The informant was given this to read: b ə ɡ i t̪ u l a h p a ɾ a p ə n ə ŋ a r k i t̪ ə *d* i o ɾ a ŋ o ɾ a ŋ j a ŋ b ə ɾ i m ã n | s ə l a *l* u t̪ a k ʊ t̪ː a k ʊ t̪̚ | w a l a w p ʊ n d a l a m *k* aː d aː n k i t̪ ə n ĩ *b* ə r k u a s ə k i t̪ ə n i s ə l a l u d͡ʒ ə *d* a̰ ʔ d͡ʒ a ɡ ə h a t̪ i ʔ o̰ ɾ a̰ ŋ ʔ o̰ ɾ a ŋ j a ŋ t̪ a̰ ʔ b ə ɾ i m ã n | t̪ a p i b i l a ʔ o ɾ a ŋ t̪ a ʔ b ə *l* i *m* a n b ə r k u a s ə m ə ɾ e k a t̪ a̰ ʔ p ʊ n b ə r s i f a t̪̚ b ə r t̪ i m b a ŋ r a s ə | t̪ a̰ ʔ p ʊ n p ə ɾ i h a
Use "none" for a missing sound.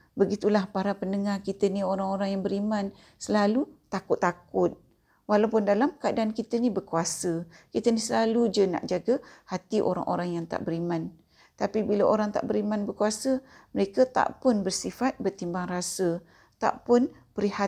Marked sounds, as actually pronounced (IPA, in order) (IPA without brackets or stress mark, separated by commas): n, l, k, b, n, ɾ, m